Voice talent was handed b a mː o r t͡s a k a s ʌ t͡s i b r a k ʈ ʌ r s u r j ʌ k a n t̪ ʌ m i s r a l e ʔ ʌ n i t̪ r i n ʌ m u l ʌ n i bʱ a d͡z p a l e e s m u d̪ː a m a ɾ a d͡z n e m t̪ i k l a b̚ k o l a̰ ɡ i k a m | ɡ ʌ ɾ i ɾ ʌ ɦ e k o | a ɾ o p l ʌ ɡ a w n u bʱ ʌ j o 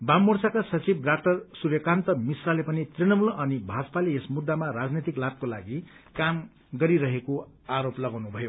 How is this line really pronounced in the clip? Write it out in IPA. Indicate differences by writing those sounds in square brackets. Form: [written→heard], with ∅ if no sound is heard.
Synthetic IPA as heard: b a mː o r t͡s a k a s ʌ t͡s i b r a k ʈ ʌ r s u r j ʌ k a n t̪ ʌ m i s r a l e [ʔ→p] ʌ n i t̪ r i n ʌ m u l ʌ n i bʱ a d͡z p a l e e s m u d̪ː a m a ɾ a d͡z n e [m→∅] t̪ i k l a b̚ k o l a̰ ɡ i k a m | ɡ ʌ ɾ i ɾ ʌ ɦ e k o | a ɾ o p l ʌ ɡ a w n u bʱ ʌ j o